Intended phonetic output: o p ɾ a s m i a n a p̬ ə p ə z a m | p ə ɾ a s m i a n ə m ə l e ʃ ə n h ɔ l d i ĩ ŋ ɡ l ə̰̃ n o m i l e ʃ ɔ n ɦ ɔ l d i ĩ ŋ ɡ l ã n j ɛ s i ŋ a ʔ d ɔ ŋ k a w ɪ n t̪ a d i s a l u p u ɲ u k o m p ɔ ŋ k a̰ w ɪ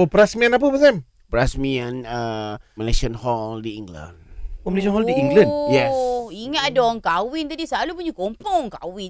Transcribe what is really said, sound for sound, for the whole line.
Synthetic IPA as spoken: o p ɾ a s m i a n a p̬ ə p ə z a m | p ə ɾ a s m i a n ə m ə l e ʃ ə n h ɔ l d i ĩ ŋ ɡ l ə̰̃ n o m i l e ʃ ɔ n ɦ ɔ l d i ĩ ŋ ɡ l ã n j ɛ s i ŋ a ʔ d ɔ ŋ k a w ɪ n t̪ a d i s a l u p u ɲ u k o m p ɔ ŋ k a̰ w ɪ